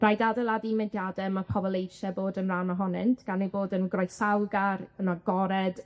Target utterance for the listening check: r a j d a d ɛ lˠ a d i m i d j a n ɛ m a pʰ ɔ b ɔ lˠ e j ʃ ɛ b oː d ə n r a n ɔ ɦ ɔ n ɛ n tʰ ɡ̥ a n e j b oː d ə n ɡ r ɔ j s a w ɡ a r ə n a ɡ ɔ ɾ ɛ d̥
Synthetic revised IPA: r a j d a d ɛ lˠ a d i m ɛ d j a d ɛ m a pʰ ɔ b ɔ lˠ e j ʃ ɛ b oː d ə n r a n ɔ ɦ ɔ n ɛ n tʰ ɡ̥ a n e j b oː d ə n ɡ r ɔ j s a w ɡ a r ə n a ɡ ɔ ɾ ɛ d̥